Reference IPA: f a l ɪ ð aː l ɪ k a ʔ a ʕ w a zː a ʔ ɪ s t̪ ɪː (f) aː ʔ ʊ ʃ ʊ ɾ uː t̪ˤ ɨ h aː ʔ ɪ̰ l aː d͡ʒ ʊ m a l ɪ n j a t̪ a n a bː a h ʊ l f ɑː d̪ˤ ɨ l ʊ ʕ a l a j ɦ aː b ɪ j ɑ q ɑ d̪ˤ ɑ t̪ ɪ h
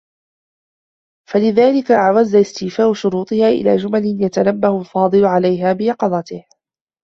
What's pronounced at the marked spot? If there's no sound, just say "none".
f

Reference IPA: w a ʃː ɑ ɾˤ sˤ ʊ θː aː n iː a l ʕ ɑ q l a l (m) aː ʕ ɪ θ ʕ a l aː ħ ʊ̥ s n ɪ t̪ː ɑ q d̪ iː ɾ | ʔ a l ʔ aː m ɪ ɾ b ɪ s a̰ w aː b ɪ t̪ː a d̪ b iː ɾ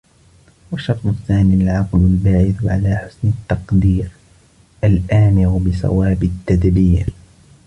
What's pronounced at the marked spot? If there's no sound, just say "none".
b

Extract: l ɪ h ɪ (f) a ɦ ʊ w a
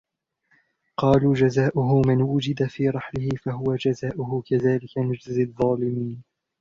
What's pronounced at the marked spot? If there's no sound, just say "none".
f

